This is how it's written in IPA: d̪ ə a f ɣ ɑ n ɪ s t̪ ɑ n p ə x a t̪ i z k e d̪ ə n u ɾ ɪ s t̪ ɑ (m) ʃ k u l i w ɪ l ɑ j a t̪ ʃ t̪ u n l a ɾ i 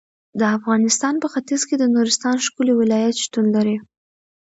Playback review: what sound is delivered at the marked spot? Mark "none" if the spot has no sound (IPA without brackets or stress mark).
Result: n